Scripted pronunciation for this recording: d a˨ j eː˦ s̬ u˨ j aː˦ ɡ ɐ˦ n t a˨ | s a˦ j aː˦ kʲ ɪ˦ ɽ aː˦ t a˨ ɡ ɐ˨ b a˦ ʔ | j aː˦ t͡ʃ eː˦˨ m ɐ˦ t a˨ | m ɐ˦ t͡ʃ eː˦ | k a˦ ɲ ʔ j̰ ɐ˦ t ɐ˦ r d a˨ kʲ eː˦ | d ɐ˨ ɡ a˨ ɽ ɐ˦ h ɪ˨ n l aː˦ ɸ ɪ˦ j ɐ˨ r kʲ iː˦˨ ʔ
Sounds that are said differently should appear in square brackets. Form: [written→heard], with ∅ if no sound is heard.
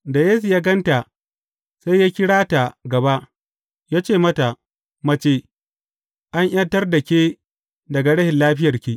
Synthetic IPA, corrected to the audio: d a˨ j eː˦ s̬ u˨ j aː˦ ɡ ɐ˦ n t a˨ | s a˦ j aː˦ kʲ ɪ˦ ɽ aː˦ t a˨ ɡ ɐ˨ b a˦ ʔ | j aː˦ t͡ʃ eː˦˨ m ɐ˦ t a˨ | m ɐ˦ t͡ʃ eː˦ | [k→ʔ] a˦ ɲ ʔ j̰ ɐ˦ t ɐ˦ r d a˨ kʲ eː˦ | d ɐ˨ ɡ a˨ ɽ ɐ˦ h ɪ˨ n l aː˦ ɸ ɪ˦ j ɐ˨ r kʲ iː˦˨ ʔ